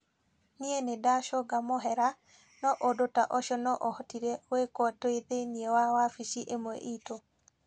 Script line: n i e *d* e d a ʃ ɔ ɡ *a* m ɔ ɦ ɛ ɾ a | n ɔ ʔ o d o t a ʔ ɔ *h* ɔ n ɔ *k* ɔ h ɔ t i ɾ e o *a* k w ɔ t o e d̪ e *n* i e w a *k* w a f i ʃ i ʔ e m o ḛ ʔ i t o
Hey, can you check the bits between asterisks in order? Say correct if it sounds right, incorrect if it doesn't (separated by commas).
incorrect, correct, incorrect, incorrect, incorrect, correct, incorrect